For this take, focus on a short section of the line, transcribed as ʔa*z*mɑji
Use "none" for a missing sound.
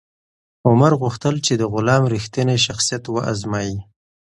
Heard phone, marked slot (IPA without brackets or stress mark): z